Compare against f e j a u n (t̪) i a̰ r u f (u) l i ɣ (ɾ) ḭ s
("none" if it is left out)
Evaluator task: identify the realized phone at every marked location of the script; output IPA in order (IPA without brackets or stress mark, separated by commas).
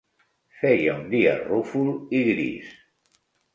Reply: d̪, u, ɾ